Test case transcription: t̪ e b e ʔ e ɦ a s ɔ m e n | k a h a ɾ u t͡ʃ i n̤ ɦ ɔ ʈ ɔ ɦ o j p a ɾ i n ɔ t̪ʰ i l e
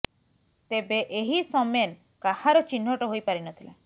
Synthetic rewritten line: t̪ e b e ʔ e ɦ i s ɔ m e n | k a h a ɾ ɔ t͡ʃ i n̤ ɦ ɔ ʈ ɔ ɦ o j p a ɾ i n ɔ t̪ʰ i l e